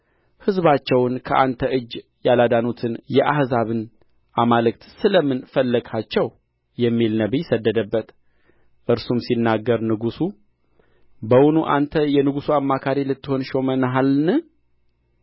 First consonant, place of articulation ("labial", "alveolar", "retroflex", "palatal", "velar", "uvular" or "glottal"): glottal